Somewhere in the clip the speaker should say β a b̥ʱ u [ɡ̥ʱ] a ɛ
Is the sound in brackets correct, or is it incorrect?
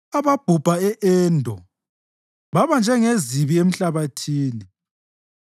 incorrect: b̥ʱ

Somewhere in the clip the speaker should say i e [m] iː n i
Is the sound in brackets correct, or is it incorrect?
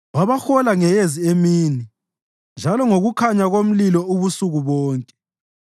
correct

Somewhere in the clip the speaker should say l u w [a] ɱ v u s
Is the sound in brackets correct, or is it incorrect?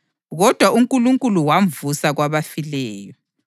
correct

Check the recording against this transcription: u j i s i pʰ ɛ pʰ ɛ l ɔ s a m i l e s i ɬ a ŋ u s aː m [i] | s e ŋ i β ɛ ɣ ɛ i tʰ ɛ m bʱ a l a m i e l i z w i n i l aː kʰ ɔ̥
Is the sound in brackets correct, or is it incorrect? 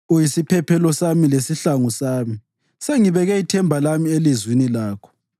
correct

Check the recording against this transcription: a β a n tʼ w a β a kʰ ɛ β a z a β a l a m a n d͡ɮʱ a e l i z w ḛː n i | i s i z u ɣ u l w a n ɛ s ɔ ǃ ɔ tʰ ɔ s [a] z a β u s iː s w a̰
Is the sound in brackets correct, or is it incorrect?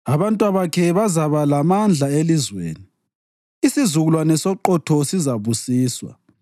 incorrect: i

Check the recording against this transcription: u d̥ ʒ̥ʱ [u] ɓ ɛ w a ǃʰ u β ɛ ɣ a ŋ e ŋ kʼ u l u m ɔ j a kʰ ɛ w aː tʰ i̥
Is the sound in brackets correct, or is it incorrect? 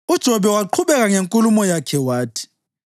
incorrect: ɔ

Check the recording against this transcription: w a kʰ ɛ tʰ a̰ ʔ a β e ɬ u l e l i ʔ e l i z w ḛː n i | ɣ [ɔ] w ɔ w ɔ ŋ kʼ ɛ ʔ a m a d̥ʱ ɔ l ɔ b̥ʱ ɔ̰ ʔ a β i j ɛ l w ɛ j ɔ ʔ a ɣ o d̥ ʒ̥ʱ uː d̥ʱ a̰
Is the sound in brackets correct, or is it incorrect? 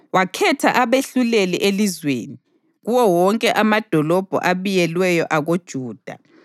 incorrect: u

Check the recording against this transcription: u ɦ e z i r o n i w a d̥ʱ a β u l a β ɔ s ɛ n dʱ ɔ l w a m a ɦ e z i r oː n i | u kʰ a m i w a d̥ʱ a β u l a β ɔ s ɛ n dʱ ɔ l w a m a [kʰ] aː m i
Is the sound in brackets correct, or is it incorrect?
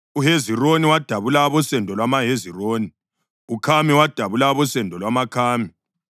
correct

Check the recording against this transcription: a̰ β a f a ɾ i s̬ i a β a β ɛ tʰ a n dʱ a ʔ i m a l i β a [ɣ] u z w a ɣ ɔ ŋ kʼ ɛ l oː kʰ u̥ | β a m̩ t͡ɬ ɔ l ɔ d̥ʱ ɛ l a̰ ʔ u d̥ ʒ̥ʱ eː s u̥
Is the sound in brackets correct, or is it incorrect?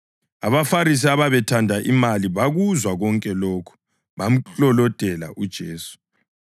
correct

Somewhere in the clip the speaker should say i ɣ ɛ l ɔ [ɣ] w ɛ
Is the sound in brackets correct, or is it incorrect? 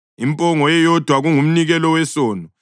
incorrect: none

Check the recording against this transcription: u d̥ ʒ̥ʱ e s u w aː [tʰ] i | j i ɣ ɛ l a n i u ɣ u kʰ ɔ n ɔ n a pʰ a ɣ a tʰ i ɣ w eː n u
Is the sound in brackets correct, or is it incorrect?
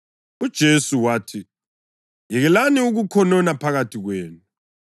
correct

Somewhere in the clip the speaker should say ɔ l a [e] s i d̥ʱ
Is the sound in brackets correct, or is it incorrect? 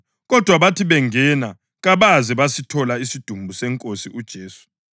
incorrect: i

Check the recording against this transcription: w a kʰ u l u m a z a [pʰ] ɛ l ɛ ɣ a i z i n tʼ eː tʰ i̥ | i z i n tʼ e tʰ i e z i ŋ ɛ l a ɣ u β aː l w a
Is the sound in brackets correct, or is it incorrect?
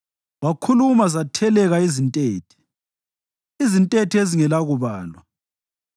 incorrect: tʰ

